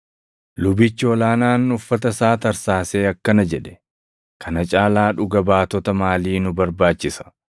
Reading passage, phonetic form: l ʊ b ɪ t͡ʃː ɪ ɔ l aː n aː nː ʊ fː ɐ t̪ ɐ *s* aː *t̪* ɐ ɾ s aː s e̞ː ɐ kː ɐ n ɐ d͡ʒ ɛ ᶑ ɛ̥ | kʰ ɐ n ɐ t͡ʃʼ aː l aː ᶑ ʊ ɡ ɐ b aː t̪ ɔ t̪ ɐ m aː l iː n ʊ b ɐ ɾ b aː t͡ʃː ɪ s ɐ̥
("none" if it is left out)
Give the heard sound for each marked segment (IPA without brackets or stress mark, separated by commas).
s, t̪